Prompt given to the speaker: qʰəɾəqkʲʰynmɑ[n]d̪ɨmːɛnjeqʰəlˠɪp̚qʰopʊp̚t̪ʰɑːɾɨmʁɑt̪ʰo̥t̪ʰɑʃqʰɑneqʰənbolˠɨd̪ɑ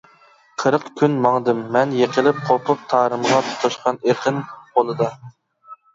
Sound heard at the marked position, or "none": ŋ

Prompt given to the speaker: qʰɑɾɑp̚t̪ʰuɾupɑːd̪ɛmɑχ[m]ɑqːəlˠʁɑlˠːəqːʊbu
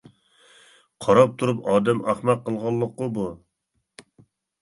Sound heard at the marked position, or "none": m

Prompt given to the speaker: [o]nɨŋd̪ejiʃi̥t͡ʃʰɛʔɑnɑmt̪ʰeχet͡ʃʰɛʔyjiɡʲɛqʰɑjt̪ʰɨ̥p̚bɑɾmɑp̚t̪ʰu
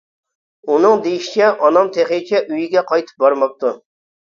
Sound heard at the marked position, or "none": u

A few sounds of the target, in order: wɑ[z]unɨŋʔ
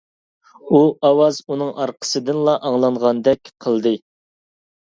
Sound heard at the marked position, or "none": z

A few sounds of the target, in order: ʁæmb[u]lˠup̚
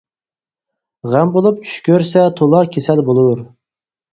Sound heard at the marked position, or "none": o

